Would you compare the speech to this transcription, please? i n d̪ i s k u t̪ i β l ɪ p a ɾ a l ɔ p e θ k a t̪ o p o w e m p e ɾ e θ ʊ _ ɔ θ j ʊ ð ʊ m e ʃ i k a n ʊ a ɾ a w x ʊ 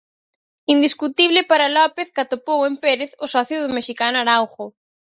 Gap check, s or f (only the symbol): s